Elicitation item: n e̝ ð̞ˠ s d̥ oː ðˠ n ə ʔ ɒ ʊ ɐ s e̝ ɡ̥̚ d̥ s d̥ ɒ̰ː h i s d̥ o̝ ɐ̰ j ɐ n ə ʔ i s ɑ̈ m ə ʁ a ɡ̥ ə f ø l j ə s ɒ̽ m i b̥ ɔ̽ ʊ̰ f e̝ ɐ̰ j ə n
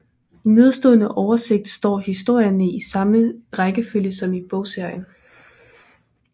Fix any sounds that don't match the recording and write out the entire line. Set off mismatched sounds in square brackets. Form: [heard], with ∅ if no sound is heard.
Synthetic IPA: n e̝ ð̞ˠ s d̥ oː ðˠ n ə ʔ ɒ ʊ ɐ s e̝ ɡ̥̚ d̥ s d̥ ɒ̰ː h i s d̥ o̝ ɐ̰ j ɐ n ə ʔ i s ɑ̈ m ə ʁ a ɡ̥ ə f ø l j ə s ɒ̽ m i b̥ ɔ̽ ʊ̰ [s] e̝ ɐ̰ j ə n